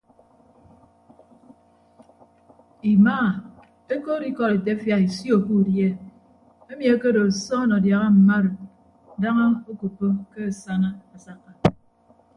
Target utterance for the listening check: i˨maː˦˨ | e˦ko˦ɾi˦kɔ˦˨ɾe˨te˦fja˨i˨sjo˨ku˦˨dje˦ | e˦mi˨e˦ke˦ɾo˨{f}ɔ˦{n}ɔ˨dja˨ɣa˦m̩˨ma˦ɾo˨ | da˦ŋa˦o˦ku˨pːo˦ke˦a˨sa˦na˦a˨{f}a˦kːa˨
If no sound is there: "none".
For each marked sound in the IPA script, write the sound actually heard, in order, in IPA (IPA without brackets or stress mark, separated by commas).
s, n, s